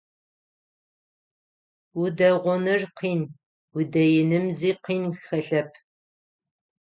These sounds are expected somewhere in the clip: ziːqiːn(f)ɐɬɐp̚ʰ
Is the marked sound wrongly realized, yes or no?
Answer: yes